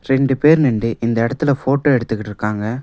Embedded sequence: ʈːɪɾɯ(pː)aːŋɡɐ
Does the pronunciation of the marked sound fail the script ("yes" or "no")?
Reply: yes